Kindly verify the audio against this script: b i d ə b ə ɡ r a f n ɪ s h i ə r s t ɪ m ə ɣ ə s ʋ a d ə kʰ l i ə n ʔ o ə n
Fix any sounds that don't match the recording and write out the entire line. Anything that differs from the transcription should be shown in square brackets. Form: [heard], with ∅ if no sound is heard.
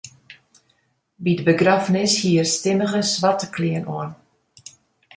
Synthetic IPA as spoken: b i d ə b ə ɡ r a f n ɪ s h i ə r s t ɪ m ə ɣ ə s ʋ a [t] ə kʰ l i ə n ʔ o ə n